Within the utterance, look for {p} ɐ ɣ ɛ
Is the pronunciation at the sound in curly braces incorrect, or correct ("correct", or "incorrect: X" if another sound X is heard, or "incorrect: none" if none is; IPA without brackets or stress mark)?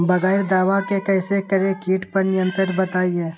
incorrect: b